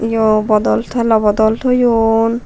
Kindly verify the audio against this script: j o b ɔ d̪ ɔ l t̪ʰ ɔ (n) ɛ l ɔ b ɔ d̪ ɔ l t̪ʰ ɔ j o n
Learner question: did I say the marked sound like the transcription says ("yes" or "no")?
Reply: no